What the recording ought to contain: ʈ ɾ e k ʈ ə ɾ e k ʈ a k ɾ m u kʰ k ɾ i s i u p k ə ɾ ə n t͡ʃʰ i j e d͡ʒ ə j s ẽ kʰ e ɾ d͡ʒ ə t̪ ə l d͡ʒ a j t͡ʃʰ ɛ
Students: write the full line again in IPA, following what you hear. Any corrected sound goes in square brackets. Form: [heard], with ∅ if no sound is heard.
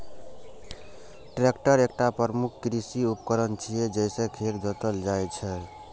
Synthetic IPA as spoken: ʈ ɾ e k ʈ ə ɾ e k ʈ a [p] ɾ m u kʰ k ɾ i s i u p k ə ɾ ə n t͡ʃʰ i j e d͡ʒ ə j s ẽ kʰ e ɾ d͡ʒ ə t̪ ə l d͡ʒ a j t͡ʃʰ ɛ